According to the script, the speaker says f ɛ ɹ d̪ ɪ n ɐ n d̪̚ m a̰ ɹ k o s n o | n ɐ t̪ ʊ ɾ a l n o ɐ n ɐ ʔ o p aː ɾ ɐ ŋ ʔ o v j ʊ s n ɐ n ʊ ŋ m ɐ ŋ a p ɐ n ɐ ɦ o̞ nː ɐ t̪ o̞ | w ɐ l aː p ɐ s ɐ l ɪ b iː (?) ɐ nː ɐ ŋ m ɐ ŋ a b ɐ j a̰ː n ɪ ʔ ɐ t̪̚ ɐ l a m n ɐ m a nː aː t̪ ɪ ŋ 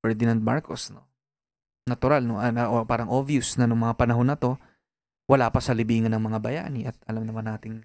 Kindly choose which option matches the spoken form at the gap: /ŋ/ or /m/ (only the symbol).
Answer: ŋ